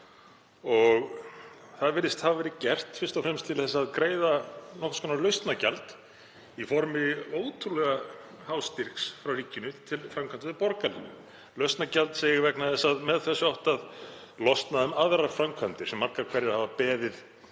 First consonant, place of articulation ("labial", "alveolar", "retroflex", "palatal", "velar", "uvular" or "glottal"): velar